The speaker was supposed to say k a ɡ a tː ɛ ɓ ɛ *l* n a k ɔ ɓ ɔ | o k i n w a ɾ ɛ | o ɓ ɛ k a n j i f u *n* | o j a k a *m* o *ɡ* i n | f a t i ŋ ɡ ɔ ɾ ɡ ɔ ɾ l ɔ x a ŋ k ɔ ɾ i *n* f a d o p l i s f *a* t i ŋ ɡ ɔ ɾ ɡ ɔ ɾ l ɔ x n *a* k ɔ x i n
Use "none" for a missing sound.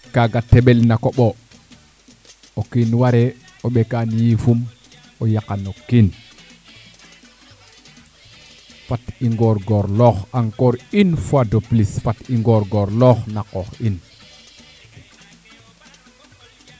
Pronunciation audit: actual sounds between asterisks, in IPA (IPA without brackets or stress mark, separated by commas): l, m, n, k, n, a, a